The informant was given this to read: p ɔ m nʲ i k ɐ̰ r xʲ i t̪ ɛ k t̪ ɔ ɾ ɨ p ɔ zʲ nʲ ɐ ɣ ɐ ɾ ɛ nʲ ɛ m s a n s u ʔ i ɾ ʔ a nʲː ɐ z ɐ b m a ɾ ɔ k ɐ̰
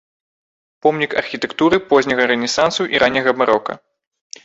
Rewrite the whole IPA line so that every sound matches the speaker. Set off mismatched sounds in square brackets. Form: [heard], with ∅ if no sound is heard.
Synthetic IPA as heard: p ɔ m nʲ i k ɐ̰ r xʲ i t̪ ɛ k t̪ [u] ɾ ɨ p ɔ zʲ nʲ ɐ ɣ ɐ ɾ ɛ nʲ ɛ [∅] s a n s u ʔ i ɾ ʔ a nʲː ɐ [ɣ] ɐ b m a ɾ ɔ k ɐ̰